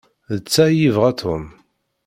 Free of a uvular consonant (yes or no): no